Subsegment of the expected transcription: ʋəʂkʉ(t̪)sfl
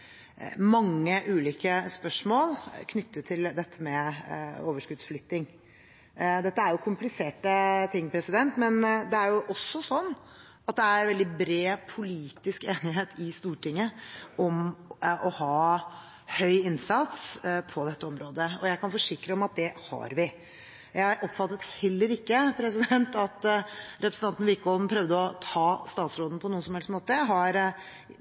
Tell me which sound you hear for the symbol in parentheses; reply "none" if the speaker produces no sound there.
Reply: d̪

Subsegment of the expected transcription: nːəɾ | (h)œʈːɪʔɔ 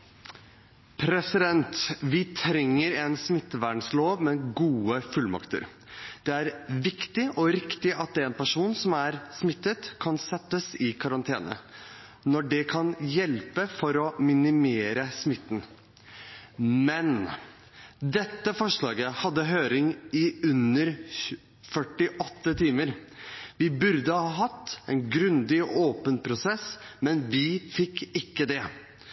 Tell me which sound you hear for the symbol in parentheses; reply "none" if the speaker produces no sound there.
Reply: f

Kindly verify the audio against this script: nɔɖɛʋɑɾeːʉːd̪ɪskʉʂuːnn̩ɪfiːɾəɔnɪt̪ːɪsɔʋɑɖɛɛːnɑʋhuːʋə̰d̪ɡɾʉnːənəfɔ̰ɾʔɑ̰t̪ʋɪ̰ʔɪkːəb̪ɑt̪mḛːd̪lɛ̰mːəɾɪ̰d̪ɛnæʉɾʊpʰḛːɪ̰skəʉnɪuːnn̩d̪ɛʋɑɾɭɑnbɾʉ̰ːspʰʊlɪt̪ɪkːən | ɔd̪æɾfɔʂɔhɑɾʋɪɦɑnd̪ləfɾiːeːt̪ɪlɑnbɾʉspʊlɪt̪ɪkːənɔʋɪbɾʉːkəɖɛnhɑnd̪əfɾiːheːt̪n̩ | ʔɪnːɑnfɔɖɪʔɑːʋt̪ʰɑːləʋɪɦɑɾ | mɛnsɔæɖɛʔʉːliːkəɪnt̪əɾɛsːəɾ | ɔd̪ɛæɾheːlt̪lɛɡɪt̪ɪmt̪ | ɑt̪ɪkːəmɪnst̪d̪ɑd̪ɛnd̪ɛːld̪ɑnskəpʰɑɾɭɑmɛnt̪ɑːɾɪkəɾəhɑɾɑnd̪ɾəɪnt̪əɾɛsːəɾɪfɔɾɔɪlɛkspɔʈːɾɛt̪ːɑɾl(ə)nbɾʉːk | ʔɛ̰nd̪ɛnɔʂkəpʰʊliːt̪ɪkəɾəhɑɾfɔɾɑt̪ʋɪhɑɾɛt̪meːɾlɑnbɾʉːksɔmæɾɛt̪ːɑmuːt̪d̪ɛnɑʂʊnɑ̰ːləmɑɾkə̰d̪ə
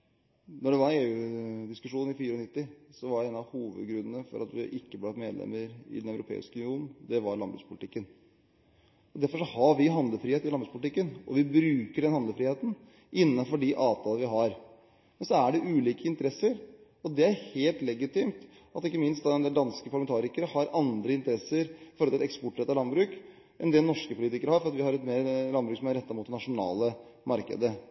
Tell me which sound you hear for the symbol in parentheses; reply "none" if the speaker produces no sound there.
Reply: ɑ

